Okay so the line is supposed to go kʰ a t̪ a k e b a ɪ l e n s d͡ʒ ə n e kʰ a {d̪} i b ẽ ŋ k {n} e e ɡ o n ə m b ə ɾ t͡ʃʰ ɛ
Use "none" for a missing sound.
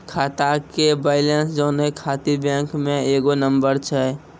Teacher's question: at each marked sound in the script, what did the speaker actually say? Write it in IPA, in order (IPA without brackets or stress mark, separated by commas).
t̪, m